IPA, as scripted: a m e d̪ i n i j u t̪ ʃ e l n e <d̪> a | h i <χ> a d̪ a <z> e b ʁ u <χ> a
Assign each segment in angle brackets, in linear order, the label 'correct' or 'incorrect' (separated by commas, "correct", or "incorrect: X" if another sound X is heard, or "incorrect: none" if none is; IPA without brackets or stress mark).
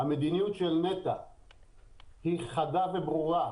incorrect: t̪, correct, incorrect: v, incorrect: ʁ